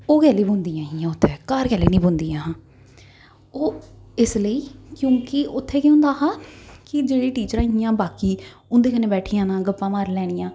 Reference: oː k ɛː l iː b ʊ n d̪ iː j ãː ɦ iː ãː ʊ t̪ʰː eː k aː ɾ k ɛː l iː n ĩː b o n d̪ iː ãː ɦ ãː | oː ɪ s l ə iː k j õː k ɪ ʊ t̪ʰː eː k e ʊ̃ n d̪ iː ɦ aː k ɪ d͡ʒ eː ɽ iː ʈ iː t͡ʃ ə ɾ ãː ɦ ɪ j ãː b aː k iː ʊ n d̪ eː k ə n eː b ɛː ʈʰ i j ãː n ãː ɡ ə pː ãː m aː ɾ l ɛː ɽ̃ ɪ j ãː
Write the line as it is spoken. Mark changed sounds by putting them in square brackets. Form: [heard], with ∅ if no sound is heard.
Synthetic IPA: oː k ɛː l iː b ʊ n d̪ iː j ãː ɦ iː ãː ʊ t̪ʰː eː k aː ɾ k ɛː l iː n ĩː b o n d̪ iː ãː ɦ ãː | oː ɪ s l ə iː k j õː k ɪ ʊ t̪ʰː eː k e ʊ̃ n d̪ [aː] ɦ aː k ɪ d͡ʒ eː ɽ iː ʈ iː t͡ʃ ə ɾ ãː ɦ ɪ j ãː b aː k iː ʊ n d̪ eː k ə n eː b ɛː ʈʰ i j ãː n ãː ɡ ə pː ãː m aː ɾ l ɛː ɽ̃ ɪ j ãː

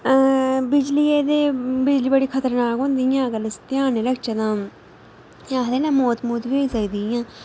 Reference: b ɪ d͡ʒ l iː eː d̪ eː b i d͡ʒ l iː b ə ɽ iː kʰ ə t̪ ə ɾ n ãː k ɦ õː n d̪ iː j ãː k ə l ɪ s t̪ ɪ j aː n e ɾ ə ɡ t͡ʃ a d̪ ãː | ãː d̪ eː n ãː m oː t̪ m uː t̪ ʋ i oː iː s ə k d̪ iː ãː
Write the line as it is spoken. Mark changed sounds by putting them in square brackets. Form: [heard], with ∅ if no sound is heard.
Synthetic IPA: b ɪ d͡ʒ l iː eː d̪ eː b [ɪ] d͡ʒ l iː b ə ɽ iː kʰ ə t̪ ə ɾ n [aː] k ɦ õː n d̪ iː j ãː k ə l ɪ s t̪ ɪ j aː n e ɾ ə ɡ t͡ʃ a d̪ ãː | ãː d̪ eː n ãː m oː t̪ m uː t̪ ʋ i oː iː s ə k d̪ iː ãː

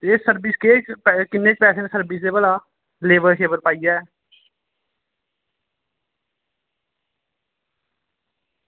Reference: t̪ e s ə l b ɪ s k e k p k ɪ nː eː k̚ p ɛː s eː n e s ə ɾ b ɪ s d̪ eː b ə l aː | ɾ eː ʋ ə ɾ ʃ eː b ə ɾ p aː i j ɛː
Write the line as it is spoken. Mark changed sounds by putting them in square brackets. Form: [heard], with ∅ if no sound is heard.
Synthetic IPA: t̪ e s ə [ɾ] b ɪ s k e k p k ɪ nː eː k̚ p ɛː s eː n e s ə ɾ b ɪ s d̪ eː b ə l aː | [l] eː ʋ ə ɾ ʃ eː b ə ɾ p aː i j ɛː

